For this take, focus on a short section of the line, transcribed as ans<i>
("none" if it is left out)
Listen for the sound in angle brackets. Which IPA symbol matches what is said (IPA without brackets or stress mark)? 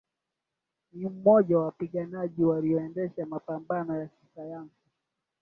i